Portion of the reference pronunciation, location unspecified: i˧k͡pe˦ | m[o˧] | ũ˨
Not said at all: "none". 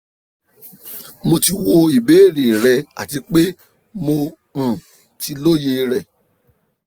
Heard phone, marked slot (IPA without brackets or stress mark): o˧